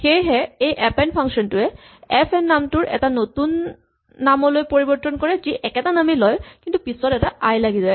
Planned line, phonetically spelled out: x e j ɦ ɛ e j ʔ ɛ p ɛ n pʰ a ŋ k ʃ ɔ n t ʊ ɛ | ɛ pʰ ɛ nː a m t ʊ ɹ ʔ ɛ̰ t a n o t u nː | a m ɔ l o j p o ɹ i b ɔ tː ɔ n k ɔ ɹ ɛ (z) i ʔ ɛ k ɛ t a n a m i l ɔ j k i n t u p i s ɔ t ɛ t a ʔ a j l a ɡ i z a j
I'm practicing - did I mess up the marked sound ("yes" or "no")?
no